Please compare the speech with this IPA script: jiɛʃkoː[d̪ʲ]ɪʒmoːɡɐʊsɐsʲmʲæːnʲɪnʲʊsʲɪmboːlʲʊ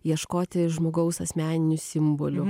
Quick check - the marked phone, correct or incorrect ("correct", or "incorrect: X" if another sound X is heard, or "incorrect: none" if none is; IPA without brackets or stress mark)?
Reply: incorrect: t̪ʲ